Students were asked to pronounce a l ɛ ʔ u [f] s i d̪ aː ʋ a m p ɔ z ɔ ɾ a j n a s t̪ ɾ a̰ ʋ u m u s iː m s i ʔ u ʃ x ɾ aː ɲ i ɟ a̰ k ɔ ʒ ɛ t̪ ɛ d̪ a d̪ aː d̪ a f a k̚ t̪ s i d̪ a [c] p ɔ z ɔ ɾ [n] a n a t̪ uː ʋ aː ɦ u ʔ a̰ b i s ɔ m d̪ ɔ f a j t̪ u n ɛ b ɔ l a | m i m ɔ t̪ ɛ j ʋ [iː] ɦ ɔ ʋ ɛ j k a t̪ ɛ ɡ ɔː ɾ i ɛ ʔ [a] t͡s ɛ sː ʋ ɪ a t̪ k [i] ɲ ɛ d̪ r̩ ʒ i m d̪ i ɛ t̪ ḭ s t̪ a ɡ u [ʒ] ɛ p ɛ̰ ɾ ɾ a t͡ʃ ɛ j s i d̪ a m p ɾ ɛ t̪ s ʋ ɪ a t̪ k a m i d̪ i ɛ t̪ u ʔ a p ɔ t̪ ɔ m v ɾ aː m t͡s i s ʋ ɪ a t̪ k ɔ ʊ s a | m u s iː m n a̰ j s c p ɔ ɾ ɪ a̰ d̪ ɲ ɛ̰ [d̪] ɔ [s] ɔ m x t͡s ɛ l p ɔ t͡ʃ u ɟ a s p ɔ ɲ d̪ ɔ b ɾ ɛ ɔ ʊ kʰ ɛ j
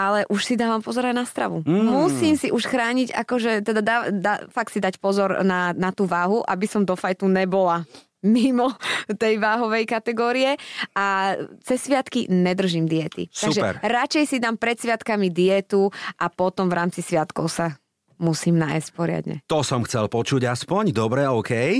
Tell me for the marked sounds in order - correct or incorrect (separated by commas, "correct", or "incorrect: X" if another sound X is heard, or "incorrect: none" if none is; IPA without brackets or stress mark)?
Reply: incorrect: ʃ, correct, correct, incorrect: aː, correct, correct, correct, incorrect: t̪, correct